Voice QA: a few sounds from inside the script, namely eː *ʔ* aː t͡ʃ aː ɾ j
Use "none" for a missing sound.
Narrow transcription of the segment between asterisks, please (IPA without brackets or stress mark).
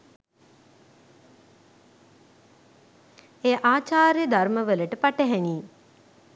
ʔ